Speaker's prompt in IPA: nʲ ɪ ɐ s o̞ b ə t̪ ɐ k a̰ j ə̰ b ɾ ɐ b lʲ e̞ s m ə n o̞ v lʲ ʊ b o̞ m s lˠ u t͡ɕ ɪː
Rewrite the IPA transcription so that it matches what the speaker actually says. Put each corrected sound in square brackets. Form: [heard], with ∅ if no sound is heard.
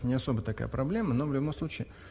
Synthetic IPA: nʲ ɪ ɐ s o̞ b ə t̪ ɐ k a̰ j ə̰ [p] ɾ ɐ b lʲ e̞ [∅] m ə n o̞ v lʲ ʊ b o̞ m s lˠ u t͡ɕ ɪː